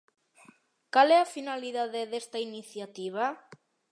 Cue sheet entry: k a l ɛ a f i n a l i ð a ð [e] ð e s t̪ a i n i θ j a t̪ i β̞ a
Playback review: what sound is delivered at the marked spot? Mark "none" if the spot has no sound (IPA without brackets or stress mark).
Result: e